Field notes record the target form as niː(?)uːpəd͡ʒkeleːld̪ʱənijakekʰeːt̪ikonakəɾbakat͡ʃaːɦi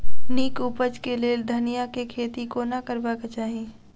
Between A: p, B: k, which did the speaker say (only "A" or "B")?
B